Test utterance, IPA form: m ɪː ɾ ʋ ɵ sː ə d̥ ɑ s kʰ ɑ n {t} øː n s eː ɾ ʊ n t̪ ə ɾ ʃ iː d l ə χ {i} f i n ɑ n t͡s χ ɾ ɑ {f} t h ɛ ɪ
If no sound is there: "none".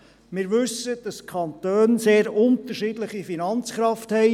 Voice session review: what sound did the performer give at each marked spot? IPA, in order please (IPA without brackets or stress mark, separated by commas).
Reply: t, i, f